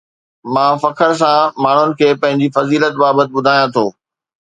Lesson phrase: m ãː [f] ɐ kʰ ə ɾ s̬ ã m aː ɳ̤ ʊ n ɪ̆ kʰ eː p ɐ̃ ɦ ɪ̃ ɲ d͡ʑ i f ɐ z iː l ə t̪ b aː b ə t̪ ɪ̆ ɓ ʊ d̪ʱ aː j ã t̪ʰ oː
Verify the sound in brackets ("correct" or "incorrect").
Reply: correct